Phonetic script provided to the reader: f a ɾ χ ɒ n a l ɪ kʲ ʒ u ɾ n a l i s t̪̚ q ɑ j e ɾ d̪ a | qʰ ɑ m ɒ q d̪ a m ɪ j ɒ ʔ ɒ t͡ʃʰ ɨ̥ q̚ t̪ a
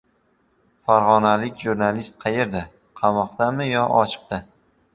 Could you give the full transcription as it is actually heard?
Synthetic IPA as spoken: f a ɾ ʁ ɒ n a l ɪ kʲ ʒ u ɾ n a l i s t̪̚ qʰ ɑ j e ɾ d̪ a | qʰ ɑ m ɒ q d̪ a m ɪ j ɒ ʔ ɒ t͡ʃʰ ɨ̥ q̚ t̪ a